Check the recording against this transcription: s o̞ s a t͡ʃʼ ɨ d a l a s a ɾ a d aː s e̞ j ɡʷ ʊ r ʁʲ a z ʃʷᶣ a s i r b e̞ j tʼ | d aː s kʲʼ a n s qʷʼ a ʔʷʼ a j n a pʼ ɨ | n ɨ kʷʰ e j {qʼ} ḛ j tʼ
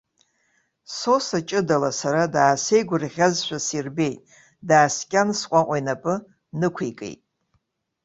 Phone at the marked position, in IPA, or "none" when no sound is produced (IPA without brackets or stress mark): kʼ